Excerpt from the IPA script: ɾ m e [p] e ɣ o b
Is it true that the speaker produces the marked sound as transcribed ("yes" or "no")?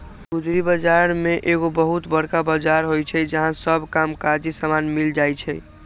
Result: no